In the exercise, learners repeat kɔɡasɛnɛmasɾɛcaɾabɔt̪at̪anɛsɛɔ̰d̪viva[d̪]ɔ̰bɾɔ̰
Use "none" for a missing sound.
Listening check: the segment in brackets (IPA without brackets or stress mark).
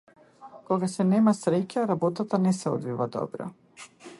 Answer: d̪